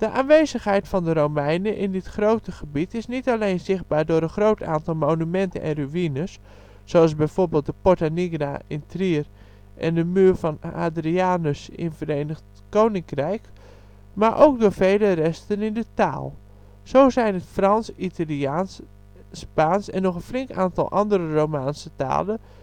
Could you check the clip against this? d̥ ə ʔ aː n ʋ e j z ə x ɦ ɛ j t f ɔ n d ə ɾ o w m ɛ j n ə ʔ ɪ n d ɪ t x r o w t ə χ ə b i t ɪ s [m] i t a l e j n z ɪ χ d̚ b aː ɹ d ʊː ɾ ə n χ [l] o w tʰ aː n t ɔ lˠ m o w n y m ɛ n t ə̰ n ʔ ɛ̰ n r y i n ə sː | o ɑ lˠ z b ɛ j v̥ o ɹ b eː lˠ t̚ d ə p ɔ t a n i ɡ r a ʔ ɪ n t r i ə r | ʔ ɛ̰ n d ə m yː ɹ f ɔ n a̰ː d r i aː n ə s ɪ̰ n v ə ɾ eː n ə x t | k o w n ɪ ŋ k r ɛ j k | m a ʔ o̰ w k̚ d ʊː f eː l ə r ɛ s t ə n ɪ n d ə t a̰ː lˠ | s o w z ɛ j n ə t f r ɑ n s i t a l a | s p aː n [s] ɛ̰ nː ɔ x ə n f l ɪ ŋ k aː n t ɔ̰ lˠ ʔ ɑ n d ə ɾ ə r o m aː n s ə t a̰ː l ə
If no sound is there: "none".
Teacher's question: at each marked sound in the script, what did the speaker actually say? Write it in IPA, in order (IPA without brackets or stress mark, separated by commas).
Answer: n, r, s